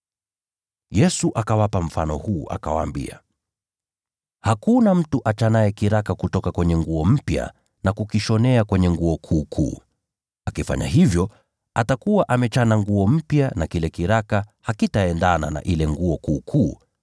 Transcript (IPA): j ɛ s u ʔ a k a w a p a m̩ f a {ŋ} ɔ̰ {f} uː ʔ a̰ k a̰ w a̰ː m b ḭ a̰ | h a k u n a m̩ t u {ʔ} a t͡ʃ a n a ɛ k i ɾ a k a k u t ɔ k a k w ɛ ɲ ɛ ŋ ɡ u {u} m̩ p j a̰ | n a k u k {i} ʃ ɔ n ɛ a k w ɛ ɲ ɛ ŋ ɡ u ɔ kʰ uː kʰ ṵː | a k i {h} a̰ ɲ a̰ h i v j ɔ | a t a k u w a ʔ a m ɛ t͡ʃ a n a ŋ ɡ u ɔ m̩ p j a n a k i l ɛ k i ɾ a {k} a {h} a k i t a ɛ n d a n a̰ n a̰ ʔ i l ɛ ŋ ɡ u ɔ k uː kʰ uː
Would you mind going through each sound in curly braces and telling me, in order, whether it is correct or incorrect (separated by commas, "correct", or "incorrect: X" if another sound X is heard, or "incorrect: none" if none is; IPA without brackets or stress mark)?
incorrect: n, incorrect: h, correct, incorrect: ɔ, correct, incorrect: f, correct, correct